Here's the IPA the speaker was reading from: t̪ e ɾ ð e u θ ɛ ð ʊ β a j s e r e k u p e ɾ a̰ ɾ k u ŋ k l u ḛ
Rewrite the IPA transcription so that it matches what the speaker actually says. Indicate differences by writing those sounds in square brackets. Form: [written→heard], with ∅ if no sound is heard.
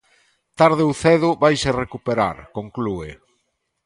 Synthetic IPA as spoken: t̪ [e→a] ɾ ð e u θ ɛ ð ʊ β a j s e r e k u p e ɾ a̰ ɾ k [u→o] ŋ k l u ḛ

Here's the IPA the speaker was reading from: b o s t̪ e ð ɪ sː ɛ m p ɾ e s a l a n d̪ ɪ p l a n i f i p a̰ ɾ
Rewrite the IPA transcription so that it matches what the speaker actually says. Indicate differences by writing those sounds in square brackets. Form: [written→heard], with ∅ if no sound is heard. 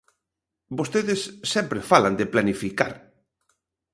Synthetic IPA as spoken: b o s t̪ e ð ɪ sː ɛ m p ɾ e [s→f] a l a n d̪ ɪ p l a n i f i [p→k] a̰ ɾ

